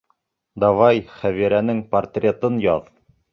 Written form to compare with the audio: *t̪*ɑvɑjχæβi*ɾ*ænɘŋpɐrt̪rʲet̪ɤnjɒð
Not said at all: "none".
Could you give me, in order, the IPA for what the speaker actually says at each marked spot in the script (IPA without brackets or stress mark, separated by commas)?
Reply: d̪, ɾ